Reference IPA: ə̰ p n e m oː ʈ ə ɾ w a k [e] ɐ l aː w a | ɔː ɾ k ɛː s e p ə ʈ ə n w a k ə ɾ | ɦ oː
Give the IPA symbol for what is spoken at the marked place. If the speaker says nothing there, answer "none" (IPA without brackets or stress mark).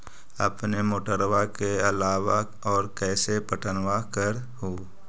e